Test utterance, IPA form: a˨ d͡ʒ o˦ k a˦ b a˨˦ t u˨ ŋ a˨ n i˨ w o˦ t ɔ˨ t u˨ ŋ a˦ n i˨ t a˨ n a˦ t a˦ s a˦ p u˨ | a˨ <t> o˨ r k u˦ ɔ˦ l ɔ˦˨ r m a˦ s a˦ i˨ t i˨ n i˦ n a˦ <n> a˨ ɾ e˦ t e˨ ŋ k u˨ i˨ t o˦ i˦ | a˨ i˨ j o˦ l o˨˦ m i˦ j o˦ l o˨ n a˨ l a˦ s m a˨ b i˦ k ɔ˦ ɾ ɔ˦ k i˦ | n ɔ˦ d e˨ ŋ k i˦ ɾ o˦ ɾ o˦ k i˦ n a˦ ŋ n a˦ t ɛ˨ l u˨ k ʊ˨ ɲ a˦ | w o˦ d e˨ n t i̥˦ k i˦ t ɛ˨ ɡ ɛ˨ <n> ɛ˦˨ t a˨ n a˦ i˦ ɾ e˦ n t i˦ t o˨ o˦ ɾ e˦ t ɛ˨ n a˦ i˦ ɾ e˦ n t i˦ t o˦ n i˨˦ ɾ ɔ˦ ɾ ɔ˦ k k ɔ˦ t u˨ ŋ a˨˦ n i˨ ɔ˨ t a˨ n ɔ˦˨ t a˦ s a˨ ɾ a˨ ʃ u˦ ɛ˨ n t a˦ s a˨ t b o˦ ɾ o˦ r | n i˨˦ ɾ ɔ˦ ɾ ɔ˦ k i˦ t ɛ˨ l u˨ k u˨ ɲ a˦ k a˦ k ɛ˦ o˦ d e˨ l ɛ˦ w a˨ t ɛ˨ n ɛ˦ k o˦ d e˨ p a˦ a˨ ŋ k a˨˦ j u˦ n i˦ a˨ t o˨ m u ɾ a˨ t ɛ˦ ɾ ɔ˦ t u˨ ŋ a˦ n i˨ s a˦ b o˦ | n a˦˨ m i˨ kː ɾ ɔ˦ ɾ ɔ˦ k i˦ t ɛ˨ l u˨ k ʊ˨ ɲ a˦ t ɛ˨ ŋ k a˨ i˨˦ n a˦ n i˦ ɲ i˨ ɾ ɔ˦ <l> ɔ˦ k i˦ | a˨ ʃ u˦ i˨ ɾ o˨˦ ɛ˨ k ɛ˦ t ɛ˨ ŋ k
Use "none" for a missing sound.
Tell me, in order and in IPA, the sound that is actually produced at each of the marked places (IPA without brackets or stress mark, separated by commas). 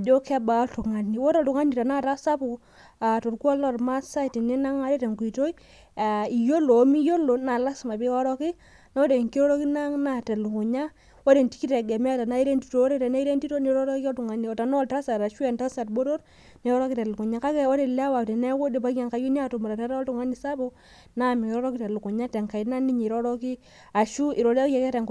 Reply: t, ŋ, m, ɾ